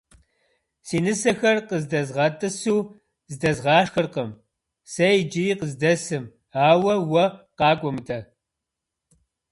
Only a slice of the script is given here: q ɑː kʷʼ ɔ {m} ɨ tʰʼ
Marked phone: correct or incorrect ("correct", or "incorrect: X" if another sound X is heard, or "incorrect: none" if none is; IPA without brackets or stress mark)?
correct